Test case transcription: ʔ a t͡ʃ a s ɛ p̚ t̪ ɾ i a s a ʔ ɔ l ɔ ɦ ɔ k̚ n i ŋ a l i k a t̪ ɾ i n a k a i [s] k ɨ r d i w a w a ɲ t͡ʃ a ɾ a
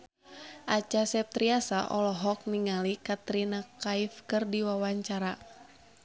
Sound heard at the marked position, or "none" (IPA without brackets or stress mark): f